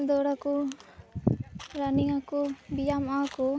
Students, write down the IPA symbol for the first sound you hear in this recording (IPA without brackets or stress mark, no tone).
d̪